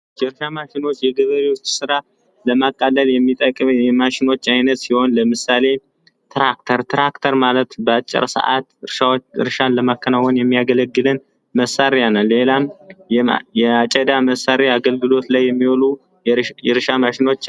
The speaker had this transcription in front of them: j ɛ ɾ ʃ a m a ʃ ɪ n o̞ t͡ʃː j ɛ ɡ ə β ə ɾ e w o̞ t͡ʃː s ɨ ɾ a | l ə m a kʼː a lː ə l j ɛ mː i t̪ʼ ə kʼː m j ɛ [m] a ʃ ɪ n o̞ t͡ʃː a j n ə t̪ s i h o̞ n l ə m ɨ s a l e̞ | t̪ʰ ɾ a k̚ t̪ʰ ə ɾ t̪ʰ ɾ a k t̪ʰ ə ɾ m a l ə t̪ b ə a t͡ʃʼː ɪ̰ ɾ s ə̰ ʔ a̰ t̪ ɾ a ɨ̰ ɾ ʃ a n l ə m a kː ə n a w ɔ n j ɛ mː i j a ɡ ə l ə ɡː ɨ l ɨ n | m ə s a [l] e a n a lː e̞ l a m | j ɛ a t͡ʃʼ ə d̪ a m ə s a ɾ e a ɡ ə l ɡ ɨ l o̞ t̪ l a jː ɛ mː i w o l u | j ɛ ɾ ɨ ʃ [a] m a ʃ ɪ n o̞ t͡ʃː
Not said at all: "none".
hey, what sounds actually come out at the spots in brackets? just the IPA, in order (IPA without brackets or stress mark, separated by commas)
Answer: m, ɾ, a